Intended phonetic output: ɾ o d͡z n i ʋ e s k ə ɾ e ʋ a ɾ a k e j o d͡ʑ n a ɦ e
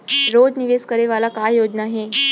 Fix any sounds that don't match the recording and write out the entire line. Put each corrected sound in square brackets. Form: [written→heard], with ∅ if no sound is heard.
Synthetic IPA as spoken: ɾ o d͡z n i ʋ e s k ə ɾ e ʋ a [ɾ→l] a k [e→a] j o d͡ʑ n a ɦ e